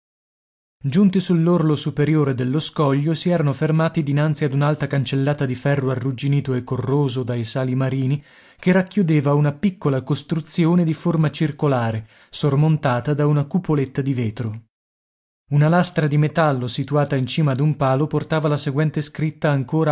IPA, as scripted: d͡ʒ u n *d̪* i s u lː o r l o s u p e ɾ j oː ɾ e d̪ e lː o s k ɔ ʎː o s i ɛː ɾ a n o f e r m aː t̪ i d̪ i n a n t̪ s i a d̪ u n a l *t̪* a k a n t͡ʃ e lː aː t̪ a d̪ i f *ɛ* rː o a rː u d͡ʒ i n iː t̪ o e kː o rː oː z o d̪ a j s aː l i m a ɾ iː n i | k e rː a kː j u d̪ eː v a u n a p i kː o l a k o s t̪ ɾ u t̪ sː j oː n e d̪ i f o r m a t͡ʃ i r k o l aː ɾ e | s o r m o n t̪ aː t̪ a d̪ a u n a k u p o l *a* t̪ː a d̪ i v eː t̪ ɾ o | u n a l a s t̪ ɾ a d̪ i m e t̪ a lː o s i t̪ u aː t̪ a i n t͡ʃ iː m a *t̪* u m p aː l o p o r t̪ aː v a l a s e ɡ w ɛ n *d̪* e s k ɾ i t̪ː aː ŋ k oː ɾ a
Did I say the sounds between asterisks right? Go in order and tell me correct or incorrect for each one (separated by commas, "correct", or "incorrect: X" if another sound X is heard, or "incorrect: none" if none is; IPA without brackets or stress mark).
incorrect: t̪, correct, correct, incorrect: e, incorrect: d̪, incorrect: t̪